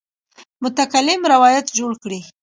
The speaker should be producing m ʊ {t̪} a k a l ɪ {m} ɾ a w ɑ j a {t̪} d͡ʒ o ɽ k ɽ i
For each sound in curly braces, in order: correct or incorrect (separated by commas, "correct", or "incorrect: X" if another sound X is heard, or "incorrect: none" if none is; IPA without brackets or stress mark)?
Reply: correct, correct, correct